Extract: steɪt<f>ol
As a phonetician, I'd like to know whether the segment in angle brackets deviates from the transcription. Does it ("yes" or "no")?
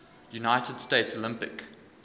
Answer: yes